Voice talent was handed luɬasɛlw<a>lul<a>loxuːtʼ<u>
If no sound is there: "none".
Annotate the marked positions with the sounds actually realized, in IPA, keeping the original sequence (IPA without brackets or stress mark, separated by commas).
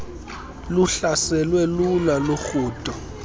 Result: ɛ, a, ɔ